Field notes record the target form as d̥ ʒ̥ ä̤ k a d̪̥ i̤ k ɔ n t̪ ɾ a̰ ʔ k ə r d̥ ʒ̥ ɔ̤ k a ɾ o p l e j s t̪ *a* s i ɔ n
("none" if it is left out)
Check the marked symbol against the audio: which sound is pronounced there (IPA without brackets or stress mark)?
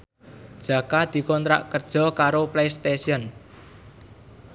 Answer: e